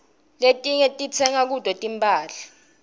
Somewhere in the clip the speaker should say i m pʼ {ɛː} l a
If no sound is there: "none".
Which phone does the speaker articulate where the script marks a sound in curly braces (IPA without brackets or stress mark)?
aː